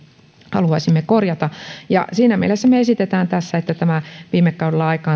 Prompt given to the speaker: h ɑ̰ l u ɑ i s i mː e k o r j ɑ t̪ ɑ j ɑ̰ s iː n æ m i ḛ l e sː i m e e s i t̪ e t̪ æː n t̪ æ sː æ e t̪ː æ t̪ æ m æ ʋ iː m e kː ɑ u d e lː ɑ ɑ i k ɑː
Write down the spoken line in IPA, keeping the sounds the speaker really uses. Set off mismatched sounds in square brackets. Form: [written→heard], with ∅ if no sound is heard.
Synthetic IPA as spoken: h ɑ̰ l u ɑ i s i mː e k o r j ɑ t̪ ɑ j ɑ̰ s iː n æ m i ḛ l e sː [i→æ] m e e s i t̪ e t̪ æː n t̪ æ sː æ e t̪ː æ t̪ æ m æ ʋ iː m e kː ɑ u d e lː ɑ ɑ i k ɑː